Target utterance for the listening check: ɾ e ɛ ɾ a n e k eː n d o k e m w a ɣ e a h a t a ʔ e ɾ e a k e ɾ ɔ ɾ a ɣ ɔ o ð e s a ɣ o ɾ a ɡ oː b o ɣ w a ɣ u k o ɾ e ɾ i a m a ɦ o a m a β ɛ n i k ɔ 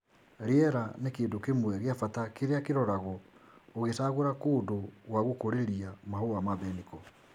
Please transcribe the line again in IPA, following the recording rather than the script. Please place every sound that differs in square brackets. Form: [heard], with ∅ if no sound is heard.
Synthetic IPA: ɾ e ɛ ɾ a n e k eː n d o k e m w [ɛ] ɣ e a [f] a t a [k] e ɾ e a k e ɾ ɔ ɾ a ɣ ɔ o [ɣ] e s a ɣ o ɾ a [k] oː [d] o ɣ w a ɣ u k o ɾ e ɾ i a m a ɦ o a m a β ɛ n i k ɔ

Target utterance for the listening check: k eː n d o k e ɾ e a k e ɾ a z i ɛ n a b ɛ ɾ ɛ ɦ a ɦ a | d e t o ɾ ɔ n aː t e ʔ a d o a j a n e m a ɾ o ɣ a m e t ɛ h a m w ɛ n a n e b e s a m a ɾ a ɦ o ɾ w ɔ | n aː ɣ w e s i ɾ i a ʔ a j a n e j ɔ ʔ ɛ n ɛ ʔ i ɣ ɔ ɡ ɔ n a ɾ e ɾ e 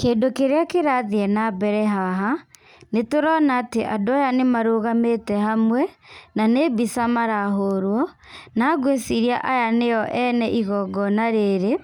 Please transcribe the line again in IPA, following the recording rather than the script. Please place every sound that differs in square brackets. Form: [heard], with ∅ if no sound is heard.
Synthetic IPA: k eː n d o k e ɾ e a k e ɾ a [ð] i ɛ n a b ɛ ɾ ɛ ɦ a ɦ a | [n] e t o ɾ ɔ n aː t e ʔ a d o a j a n e m a ɾ o ɣ a m e t ɛ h a m w ɛ n a n e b [i] s a m a ɾ a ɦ o ɾ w ɔ | n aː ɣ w e s i ɾ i a ʔ a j a n e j ɔ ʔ ɛ n ɛ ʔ i ɣ ɔ ɡ ɔ n a ɾ e ɾ e

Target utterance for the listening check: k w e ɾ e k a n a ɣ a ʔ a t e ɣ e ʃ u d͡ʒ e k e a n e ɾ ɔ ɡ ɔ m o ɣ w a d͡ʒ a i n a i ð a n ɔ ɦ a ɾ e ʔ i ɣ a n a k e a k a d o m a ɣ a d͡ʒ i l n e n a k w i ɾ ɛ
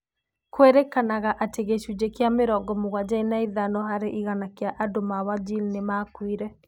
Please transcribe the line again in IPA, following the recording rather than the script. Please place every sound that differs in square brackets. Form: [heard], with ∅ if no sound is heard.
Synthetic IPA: k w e ɾ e k a n a ɣ a ʔ a t e ɣ e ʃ u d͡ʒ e k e a [m] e ɾ ɔ ɡ ɔ m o ɣ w a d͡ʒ a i n a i ð a n ɔ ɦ a ɾ e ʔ i ɣ a n a k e a [ʔ] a d o m a [w] a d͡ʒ i l n e [m] a k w i ɾ ɛ

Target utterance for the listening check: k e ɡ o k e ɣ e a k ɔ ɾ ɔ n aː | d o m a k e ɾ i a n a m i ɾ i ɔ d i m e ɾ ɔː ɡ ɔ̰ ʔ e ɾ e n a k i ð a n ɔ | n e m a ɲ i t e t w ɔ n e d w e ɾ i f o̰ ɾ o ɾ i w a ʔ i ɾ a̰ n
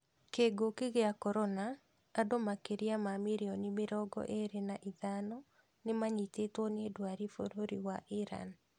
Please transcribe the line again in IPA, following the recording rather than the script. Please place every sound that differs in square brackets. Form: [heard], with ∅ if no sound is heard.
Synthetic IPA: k e ɡ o k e ɣ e a k ɔ ɾ ɔ n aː | d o m a k e ɾ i a [m] a m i ɾ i ɔ [n] i m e ɾ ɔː ɡ ɔ̰ ʔ e ɾ e n a [ʔ] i ð a n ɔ | n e m a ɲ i t e t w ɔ n e d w [a] ɾ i f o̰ ɾ o ɾ i w a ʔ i ɾ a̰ n

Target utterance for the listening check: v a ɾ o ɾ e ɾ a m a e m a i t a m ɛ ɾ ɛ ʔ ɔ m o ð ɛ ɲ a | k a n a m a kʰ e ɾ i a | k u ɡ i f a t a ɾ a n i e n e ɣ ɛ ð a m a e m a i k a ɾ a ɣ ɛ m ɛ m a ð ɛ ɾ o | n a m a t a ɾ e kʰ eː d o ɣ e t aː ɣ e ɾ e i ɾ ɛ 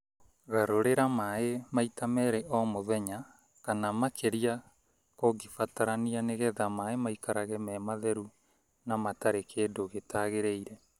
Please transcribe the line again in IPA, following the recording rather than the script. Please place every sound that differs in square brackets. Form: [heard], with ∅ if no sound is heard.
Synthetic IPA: [ɣ] a ɾ o ɾ e ɾ a m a e m a i t a m ɛ ɾ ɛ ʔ ɔ m o ð ɛ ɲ a | k a n a m a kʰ e ɾ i a | k [o] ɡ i f a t a ɾ a n i [a] n e ɣ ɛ ð a m a e m a i k a ɾ a ɣ ɛ m ɛ m a ð ɛ ɾ [u] | n a m a t a ɾ e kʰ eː d o ɣ e t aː ɣ e ɾ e i ɾ ɛ

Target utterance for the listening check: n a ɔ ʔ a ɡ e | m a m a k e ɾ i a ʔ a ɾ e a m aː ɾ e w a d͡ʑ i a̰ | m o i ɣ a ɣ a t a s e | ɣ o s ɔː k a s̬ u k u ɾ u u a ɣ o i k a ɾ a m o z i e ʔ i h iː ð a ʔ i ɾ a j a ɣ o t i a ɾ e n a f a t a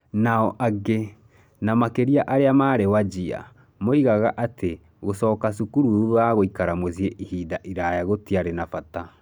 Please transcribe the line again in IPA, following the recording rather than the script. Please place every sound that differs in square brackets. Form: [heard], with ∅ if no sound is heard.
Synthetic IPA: n a ɔ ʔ a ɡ e | [n] a m a k e ɾ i a ʔ a ɾ e a m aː ɾ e w a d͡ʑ i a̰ | m o i ɣ a ɣ a [ʔ] a [t] e | ɣ o s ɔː k a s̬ u k u ɾ u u a ɣ o i k a ɾ a m o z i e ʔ i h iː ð a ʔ i ɾ a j a ɣ o t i a ɾ e n a f a t a

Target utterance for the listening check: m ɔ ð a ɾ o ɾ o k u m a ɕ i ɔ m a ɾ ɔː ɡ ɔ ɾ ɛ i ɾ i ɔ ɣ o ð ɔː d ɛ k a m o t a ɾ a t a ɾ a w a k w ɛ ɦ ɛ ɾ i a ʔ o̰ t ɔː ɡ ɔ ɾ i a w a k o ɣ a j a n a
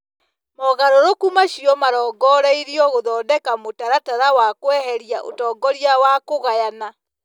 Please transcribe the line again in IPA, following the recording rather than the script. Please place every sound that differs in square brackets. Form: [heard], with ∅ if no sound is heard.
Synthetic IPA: m ɔ [ɣ] a ɾ o ɾ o k u m a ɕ i ɔ m a ɾ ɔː ɡ ɔ ɾ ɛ i ɾ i ɔ ɣ o ð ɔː d ɛ k a m o t a ɾ a t a ɾ a w a k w ɛ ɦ ɛ ɾ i a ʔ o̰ t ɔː ɡ ɔ ɾ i a w a k o ɣ a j a n a

